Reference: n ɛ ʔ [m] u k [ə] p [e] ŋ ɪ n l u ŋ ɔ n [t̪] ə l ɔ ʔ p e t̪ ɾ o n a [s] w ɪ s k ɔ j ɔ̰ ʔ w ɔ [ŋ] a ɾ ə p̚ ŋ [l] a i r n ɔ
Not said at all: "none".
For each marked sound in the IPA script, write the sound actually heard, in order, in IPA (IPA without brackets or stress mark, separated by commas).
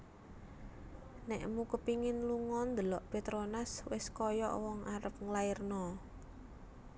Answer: m, ə, i, d̪, s, ŋ, l